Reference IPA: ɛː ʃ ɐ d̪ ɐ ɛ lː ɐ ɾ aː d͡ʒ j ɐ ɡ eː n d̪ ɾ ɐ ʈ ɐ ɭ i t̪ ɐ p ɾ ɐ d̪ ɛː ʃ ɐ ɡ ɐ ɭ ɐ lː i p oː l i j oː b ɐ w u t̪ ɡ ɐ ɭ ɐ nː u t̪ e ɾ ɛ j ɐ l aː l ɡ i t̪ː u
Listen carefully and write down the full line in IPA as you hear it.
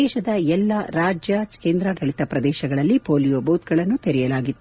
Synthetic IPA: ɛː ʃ ɐ d̪ ɐ ɛ lː ɐ ɾ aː d͡ʒ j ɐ k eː n d̪ ɾ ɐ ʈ ɐ ɭ i t̪ ɐ p ɾ ɐ d̪ ɛː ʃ ɐ ɡ ɐ ɭ ɐ lː i p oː l i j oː b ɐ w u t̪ ɡ ɐ ɭ ɐ nː u t̪ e ɾ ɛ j ɐ l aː ɡ i t̪ː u

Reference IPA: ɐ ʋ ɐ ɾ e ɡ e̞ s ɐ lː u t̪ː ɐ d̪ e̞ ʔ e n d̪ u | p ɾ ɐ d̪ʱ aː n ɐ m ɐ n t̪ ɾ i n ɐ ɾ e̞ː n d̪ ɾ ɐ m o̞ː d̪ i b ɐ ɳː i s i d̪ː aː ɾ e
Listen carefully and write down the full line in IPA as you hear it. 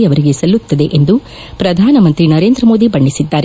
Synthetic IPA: ɐ ʋ ɐ ɾ i ɡ e̞ s ɐ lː u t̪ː ɐ d̪ e̞ ʔ e n d̪ u | p ɾ ɐ d̪ʱ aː n ɐ m ɐ n t̪ ɾ i n ɐ ɾ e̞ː n d̪ ɾ ɐ m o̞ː d̪ i b ɐ ɳː i s i d̪ː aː ɾ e

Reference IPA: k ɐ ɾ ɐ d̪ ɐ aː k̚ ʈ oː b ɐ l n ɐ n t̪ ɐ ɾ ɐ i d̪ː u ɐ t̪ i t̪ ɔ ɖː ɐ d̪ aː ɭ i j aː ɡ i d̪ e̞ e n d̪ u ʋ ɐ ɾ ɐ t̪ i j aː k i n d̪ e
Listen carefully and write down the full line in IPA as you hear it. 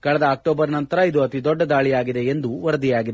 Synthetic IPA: k ɐ ɭ ɐ d̪ ɐ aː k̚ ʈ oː b ɐ ɾ n ɐ n t̪ ɐ ɾ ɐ i d̪ u ɐ t̪ i d̪ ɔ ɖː ɐ d̪ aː ɭ i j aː ɡ i d̪ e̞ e n d̪ u ʋ ɐ ɾ ɐ d̪ i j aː ɡ i d̪ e

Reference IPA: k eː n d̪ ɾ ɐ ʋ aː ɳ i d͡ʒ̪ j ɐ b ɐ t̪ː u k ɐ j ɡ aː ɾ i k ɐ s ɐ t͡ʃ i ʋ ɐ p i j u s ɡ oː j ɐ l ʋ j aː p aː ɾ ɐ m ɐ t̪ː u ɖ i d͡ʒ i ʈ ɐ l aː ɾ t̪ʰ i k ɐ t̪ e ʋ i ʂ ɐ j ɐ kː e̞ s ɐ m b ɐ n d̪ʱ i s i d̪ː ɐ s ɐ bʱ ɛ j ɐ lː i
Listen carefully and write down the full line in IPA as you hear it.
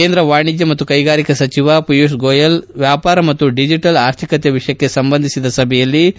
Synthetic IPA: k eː n d̪ ɾ ɐ ʋ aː ɳ i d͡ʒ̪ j ɐ m ɐ t̪ː u k ɐ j ɡ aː ɾ i k ɐ s ɐ t͡ʃ i ʋ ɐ p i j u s ɡ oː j ɐ l ʋ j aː p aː ɾ ɐ m ɐ t̪ː u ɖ i d͡ʒ i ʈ ɐ l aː ɾ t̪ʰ i k ɐ t̪ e ʋ i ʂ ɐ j ɐ kː e̞ s ɐ m b ɐ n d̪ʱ i s i d̪ ɐ s ɐ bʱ ɛ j ɐ lː i

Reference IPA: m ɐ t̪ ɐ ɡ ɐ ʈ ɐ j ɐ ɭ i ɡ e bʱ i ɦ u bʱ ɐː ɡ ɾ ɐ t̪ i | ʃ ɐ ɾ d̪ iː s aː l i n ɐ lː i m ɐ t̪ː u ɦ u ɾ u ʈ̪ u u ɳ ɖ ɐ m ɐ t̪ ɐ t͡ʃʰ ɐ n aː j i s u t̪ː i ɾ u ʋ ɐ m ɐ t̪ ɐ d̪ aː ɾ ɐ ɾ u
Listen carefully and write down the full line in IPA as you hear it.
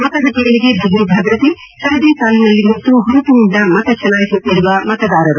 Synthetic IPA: m ɐ t̪ ɐ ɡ ɐ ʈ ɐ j ɐ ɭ i ɡ e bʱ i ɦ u bʱ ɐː ɡ ɾ ɐ t̪ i | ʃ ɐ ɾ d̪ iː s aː l i n ɐ lː i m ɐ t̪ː u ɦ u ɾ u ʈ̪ u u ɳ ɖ ɐ m ɐ t̪ ɐ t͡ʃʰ ɐ n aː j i s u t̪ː i ɾ u ʋ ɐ m ɐ t̪ ɐ d̪ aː ɾ ɐ ɾ u

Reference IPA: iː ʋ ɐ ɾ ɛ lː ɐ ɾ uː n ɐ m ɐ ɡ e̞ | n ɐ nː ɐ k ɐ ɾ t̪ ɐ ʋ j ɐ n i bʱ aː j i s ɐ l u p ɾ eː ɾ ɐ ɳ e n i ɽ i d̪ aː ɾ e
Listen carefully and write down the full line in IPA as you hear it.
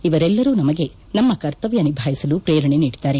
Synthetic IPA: i ʋ ɐ ɾ ɛ lː ɐ ɾ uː n ɐ m ɐ ɡ e̞ | n ɐ mː ɐ k ɐ ɾ t̪ ɐ ʋ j ɐ n i bʱ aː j i s ɐ l u p ɾ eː ɾ ɐ ɳ e n iː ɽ i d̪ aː ɾ e

